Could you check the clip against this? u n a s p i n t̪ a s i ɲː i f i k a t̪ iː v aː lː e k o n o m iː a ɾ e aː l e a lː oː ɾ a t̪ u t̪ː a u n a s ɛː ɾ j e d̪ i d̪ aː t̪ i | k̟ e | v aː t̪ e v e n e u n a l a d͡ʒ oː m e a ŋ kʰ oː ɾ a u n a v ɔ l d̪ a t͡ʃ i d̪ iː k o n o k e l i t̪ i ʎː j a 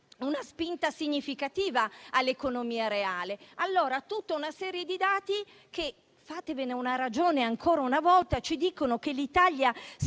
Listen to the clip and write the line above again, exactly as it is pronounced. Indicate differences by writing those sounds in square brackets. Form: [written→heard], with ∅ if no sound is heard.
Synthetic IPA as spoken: u n a s p i n t̪ a s i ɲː i f i k a t̪ iː v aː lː e k o n o m iː a ɾ e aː l e a lː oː ɾ a t̪ u t̪ː a u n a s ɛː ɾ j e d̪ i d̪ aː t̪ i | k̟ e | [v→f] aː t̪ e v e n e u n a [l→ɾ] a d͡ʒ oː [m→n] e a ŋ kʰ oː ɾ a u n a v ɔ l [d̪→t̪] a t͡ʃ i d̪ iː k o n o k e l i t̪ [i→a] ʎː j a